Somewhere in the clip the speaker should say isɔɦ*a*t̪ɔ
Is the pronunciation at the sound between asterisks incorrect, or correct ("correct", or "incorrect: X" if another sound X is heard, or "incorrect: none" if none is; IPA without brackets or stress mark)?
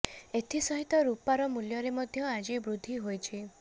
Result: incorrect: i